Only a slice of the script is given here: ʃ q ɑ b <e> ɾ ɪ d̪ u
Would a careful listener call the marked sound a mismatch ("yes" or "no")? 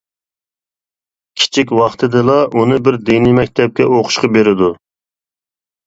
no